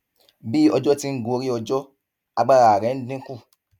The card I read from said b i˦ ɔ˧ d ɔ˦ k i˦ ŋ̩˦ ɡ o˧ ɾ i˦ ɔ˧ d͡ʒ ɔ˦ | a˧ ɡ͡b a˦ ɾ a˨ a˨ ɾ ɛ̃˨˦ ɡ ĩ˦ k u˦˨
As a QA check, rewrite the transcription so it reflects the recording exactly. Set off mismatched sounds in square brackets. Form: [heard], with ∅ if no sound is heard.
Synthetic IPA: b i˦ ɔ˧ [d͡ʒ] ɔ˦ [t] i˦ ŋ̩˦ ɡ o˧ ɾ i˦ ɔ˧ d͡ʒ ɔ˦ | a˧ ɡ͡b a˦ ɾ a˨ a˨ ɾ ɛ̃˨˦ [d] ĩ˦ k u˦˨